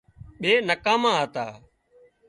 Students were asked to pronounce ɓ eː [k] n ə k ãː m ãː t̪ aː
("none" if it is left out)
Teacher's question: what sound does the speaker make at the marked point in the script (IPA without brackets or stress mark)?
none